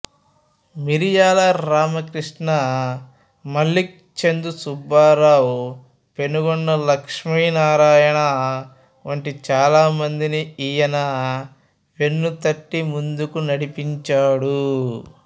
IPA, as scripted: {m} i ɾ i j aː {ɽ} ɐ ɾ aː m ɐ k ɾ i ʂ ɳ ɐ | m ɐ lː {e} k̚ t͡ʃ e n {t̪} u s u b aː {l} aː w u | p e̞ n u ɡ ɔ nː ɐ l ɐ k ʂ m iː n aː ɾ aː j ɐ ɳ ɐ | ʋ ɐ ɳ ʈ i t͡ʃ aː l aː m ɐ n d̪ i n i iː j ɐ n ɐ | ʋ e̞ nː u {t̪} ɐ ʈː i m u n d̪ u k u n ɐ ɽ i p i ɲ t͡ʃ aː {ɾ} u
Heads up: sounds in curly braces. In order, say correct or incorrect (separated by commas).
correct, incorrect, incorrect, incorrect, incorrect, correct, incorrect